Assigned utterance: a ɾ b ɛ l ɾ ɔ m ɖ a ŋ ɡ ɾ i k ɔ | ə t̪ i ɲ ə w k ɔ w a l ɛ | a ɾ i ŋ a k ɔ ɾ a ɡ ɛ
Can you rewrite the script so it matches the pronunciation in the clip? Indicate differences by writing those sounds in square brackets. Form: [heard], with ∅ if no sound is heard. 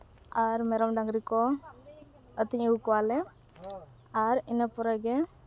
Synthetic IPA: a ɾ [m] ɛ [∅] ɾ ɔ m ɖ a ŋ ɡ ɾ i k ɔ | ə t̪ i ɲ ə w k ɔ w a l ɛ | a ɾ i [n] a [p] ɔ ɾ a ɡ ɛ